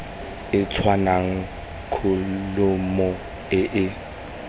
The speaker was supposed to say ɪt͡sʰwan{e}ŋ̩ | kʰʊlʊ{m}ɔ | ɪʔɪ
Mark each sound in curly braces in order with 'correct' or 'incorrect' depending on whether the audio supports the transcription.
incorrect: a, correct

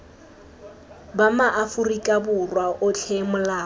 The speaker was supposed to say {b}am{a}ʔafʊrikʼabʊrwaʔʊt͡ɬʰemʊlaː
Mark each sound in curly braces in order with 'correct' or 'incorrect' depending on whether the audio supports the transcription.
correct, correct

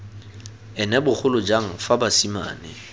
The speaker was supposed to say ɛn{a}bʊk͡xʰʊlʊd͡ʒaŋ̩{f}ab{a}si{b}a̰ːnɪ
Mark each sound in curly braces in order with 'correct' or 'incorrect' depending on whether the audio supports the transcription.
incorrect: ɛ, correct, correct, incorrect: m

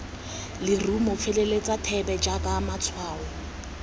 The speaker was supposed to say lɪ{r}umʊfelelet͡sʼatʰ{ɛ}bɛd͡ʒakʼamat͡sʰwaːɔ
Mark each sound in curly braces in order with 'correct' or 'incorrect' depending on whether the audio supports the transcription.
correct, correct

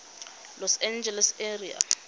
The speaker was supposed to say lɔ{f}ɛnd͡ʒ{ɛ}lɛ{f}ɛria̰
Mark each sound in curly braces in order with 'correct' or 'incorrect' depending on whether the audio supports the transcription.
incorrect: s, correct, incorrect: s

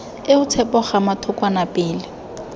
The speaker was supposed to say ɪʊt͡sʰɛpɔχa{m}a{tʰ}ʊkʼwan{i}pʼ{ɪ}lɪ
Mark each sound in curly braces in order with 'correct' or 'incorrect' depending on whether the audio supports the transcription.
correct, correct, incorrect: a, incorrect: ɪː

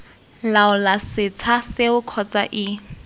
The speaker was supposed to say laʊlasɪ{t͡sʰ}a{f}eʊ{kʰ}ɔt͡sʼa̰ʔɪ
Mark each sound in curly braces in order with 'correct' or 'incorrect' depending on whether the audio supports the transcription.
correct, incorrect: s, correct

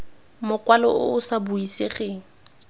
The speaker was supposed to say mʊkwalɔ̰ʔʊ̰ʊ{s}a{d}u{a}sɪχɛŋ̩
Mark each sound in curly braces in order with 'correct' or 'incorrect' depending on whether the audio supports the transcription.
correct, incorrect: b, incorrect: i

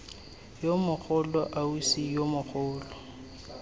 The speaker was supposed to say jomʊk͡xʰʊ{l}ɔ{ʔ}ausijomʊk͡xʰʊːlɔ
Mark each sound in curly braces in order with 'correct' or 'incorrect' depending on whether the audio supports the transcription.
correct, correct

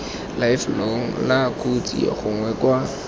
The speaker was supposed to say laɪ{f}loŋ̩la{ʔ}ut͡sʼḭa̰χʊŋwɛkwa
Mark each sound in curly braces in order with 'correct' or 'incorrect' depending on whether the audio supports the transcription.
correct, incorrect: k

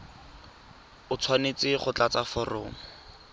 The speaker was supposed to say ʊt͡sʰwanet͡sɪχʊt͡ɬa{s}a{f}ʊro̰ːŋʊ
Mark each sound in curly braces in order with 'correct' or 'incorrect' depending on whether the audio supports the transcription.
incorrect: t͡s, correct

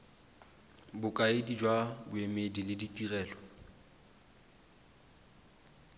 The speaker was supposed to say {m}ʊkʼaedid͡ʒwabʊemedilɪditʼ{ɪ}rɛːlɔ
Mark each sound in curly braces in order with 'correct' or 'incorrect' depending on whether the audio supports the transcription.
incorrect: b, incorrect: i

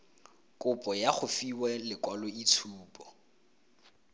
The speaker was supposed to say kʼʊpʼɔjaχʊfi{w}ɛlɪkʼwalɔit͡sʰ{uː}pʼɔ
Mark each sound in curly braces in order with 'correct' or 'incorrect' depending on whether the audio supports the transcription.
correct, correct

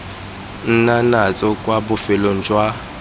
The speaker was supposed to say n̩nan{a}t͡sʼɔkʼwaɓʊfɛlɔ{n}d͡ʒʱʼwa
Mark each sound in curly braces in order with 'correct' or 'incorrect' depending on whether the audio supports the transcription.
correct, correct

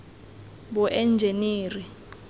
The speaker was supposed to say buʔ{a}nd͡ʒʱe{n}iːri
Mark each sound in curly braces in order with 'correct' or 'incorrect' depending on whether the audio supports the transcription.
incorrect: ɛ, correct

